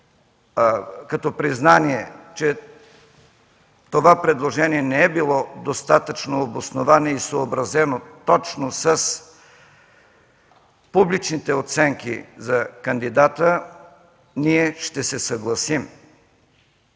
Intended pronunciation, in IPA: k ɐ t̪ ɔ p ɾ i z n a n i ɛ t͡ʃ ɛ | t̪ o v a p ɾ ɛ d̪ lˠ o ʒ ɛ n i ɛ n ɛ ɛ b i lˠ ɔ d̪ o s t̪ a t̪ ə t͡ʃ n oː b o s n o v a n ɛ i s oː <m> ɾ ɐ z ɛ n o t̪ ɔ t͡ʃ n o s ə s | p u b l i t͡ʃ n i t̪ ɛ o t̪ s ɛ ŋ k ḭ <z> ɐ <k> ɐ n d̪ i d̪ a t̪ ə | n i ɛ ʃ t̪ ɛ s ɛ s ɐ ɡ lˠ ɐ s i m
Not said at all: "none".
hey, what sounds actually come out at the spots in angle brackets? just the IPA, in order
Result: b, z, k

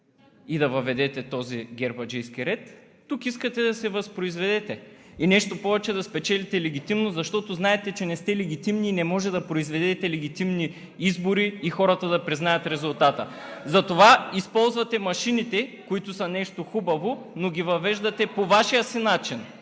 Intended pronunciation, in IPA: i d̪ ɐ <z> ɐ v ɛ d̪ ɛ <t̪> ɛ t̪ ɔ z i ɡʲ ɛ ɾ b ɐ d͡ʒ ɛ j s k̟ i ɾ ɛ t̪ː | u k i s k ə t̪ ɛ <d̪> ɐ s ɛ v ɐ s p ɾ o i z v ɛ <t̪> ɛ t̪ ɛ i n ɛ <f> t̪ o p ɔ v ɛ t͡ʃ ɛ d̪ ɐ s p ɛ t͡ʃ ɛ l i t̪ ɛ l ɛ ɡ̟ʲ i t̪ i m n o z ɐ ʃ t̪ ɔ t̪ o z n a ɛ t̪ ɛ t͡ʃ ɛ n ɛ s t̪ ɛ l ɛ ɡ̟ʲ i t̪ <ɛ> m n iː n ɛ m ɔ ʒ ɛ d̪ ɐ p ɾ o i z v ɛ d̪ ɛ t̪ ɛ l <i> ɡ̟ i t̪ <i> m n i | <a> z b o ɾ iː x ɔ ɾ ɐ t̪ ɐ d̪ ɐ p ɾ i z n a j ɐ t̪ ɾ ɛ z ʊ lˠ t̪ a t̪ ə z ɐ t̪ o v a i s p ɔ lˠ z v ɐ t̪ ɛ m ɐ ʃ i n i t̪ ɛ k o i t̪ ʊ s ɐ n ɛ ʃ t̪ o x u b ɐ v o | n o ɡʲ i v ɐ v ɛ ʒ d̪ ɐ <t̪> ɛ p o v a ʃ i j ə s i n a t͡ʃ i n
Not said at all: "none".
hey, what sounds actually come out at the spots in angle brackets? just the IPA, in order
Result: v, t̪, d̪, d̪, ʃ, i, ɛ, i, i, t̪

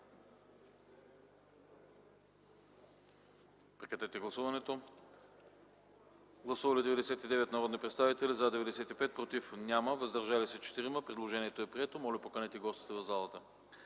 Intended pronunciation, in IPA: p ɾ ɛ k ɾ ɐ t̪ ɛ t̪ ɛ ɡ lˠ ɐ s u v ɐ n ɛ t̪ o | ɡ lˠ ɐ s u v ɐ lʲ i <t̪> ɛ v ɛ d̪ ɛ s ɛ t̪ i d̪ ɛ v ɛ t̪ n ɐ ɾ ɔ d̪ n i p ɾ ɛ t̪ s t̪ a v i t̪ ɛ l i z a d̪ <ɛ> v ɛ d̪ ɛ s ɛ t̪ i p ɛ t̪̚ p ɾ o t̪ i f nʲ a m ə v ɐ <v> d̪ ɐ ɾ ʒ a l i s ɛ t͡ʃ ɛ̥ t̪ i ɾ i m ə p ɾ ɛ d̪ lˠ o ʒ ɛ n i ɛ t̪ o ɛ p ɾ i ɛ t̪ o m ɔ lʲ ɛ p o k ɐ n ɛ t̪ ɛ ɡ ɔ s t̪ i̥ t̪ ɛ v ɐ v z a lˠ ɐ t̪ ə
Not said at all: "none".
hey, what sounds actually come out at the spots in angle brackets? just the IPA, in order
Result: d̪, ɛ, z

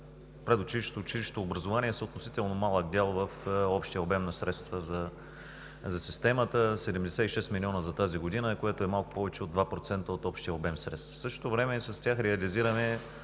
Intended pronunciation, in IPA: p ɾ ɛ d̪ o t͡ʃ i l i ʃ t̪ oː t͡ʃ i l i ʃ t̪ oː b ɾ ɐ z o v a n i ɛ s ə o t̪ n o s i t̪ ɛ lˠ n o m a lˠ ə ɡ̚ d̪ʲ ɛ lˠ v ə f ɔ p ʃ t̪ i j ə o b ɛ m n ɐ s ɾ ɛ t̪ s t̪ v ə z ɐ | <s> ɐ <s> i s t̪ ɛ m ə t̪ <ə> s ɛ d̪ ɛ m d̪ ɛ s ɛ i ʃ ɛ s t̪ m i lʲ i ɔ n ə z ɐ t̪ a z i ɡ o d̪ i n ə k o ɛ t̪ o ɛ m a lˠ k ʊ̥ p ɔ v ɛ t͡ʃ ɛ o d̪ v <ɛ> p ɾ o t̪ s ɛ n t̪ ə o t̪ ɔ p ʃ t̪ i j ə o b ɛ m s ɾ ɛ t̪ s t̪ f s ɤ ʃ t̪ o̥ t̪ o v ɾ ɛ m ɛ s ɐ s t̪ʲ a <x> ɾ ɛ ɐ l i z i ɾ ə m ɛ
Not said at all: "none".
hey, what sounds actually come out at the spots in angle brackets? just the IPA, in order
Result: z, s, ə, a, x

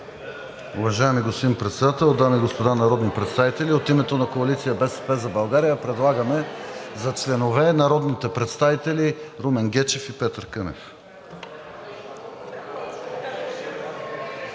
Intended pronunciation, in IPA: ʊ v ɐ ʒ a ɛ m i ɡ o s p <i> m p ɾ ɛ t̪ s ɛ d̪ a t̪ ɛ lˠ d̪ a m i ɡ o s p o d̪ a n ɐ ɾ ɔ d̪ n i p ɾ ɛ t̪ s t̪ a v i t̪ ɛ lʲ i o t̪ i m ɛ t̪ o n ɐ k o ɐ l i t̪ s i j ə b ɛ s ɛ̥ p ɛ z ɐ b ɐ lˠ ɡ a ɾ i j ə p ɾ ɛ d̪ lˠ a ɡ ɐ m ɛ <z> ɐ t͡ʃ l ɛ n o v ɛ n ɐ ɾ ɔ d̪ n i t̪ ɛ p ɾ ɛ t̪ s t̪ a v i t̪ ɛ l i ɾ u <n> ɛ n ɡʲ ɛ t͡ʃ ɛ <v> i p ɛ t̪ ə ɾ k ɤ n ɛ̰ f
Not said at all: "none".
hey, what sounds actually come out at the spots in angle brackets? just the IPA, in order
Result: i, z, m, f

